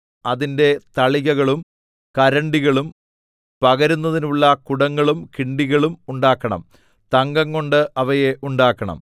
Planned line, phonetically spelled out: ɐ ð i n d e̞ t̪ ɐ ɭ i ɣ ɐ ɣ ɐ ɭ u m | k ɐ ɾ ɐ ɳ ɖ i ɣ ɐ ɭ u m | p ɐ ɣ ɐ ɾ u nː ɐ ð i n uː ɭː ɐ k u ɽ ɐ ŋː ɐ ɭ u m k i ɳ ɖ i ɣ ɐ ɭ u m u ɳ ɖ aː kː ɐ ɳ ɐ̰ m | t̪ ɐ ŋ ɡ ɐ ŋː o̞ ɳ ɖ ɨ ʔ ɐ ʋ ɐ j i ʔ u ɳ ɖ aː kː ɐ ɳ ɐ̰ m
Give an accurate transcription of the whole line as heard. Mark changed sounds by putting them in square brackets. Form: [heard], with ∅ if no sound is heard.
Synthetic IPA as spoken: ɐ ð i n d e̞ t̪ ɐ ɭ i ɣ ɐ ɣ ɐ ɭ u m | k ɐ ɾ ɐ ɳ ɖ i ɣ ɐ ɭ u m | p ɐ ɣ ɐ ɾ u nː ɐ ð i n [u] ɭː ɐ k u ɽ ɐ ŋː ɐ ɭ u m k i ɳ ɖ i ɣ ɐ ɭ u m u ɳ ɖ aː kː ɐ ɳ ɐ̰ m | t̪ ɐ ŋ ɡ ɐ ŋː o̞ ɳ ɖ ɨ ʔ ɐ ʋ ɐ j [e] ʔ u ɳ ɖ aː kː ɐ ɳ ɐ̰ m

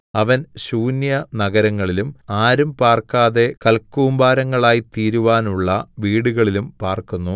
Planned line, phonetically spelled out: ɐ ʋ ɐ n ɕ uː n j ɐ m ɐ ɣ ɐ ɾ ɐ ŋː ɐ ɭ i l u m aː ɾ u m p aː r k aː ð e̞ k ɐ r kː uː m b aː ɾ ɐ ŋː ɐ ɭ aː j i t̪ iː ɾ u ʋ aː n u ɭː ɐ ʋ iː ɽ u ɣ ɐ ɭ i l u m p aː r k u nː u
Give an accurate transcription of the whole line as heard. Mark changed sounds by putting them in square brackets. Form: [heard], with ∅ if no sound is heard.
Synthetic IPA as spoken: ɐ ʋ ɐ n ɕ uː n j ɐ [n] ɐ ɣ ɐ ɾ ɐ ŋː ɐ ɭ i l u m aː ɾ u m p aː r k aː ð e̞ k ɐ [l] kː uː m b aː ɾ ɐ ŋː ɐ ɭ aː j i t̪ iː ɾ u ʋ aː n u ɭː ɐ ʋ iː ɽ u ɣ ɐ ɭ i l u m p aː r k u nː u

